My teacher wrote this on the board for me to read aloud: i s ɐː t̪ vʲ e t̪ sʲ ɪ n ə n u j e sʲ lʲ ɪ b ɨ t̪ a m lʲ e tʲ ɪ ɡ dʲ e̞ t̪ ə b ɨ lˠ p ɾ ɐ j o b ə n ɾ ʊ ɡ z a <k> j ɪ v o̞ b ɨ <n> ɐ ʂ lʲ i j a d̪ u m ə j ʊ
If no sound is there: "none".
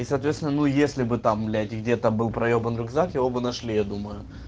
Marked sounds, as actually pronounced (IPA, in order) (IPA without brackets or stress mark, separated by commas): k, n